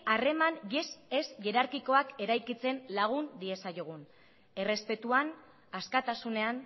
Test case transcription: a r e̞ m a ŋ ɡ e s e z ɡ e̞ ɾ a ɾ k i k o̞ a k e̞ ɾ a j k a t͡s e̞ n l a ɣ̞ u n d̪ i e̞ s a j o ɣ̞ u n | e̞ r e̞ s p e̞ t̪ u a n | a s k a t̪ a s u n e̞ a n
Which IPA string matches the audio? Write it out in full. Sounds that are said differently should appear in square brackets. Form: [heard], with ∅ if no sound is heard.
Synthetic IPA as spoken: a r e̞ m a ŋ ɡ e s e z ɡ e̞ ɾ a ɾ k i k o̞ a k e̞ ɾ a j k [i] t͡s e̞ n l a ɣ̞ u n d̪ i e̞ s a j o ɣ̞ u n | e̞ r e̞ s p e̞ t̪ u a n | a s k a t̪ a s u n e̞ a n